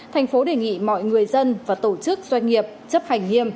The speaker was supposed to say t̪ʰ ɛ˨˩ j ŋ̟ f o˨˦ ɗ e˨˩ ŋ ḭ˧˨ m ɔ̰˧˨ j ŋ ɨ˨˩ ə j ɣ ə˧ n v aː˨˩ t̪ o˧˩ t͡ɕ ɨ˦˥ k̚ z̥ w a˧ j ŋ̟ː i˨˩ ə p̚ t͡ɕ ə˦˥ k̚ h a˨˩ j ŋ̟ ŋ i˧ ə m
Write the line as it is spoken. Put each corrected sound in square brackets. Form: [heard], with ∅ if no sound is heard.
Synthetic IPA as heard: t̪ʰ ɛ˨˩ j ŋ̟ f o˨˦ ɗ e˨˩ ŋ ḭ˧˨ m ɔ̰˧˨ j ŋ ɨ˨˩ ə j [z] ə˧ n v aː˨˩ t̪ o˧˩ t͡ɕ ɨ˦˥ k̚ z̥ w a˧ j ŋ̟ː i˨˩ ə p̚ t͡ɕ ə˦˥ [p̚] h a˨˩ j ŋ̟ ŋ i˧ ə m